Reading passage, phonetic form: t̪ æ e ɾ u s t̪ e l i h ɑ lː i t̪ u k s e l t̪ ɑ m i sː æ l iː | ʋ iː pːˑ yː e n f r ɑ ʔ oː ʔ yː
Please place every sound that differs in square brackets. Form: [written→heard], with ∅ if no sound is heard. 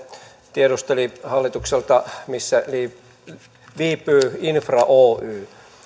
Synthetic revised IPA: t̪ [æ→i] e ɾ u s t̪ e l i h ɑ lː i t̪ u k s e l t̪ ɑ m i sː æ l iː | ʋ iː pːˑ yː [e→i] n f r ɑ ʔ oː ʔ yː